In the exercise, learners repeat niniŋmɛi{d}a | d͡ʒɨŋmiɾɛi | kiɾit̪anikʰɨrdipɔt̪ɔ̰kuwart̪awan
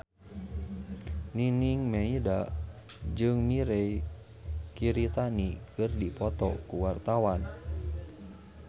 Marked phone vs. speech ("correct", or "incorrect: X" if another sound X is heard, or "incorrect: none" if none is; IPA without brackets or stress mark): correct